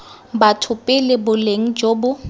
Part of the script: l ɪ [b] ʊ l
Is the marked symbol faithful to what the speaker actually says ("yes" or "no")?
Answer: yes